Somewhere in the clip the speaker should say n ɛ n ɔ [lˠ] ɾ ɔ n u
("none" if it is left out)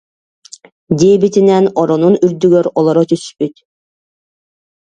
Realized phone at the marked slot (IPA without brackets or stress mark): none